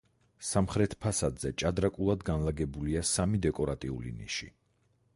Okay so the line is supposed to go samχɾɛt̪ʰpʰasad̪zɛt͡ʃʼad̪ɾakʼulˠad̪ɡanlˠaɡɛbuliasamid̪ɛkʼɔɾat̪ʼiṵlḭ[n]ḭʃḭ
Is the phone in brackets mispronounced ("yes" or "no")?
no